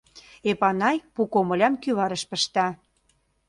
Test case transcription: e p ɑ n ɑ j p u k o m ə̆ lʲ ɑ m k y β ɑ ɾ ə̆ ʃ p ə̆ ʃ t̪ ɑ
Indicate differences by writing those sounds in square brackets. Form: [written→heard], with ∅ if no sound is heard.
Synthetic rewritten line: e p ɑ n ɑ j p u k o m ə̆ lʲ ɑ m k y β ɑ ɾ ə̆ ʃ p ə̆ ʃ t̪ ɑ